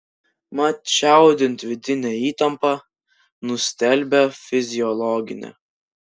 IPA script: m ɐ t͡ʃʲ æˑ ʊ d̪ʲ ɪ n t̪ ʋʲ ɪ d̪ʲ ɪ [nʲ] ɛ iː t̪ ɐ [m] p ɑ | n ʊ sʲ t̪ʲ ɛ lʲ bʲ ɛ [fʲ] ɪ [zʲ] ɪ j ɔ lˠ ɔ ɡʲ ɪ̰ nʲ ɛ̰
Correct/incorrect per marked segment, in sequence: correct, correct, correct, correct

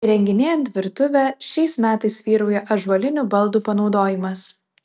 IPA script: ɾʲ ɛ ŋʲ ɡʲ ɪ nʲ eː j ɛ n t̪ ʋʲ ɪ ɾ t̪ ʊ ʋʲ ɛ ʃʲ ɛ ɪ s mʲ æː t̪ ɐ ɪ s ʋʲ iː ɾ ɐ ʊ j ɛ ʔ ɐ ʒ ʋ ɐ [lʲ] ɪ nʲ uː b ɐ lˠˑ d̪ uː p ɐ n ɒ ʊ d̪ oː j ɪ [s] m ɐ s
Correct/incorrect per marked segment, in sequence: correct, incorrect

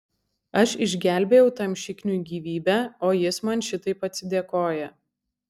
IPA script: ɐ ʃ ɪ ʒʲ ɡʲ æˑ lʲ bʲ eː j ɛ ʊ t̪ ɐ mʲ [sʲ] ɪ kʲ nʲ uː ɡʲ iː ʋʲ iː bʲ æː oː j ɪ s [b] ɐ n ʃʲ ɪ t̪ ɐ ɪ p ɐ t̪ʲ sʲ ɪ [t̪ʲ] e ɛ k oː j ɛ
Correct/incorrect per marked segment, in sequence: incorrect, incorrect, incorrect

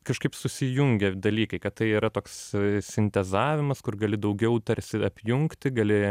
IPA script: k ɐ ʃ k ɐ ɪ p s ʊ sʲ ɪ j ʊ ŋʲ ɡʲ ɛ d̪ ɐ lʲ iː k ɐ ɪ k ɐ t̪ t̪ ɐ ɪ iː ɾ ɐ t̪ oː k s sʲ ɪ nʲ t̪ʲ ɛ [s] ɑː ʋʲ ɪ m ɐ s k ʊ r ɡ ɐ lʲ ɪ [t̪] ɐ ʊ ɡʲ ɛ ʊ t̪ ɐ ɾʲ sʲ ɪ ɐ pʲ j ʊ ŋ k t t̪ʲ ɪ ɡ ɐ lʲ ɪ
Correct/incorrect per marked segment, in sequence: incorrect, incorrect

